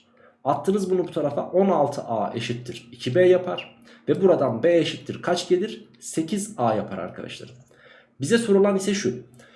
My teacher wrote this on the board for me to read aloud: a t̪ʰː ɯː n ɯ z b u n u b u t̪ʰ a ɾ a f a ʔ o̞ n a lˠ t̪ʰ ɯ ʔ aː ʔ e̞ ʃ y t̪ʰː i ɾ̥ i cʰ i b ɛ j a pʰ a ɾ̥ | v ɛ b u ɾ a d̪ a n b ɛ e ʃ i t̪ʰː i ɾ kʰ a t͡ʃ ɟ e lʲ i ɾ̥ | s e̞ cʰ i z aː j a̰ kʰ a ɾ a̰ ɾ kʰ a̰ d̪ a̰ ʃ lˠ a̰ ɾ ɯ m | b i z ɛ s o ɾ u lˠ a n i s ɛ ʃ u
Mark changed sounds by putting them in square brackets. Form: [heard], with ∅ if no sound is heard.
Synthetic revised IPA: a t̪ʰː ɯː n ɯ z b u n u b u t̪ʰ a ɾ a f a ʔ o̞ n a lˠ t̪ʰ ɯ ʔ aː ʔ e̞ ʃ [i] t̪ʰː i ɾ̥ i cʰ i b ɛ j a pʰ a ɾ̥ | v ɛ b u ɾ a d̪ a n b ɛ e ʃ i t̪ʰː i ɾ kʰ a t͡ʃ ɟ e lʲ i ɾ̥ | s e̞ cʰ i z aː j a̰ [pʰ] a ɾ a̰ ɾ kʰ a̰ d̪ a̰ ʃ lˠ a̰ ɾ ɯ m | b i z ɛ s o ɾ u lˠ a n i s ɛ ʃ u